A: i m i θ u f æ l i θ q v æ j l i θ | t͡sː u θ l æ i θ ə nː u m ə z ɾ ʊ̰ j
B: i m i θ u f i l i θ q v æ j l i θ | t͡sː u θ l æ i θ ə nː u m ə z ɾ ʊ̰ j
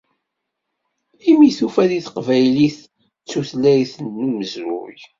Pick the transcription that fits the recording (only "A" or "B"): A